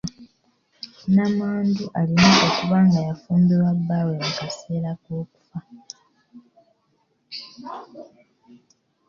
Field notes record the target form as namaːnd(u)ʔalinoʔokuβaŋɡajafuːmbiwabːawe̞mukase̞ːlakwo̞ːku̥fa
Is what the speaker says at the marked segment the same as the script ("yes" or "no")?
yes